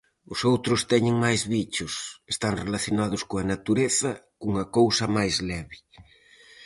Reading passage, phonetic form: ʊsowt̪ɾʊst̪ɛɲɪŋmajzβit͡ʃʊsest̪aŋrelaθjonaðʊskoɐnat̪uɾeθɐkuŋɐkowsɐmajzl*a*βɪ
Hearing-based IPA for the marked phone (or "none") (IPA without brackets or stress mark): ɛ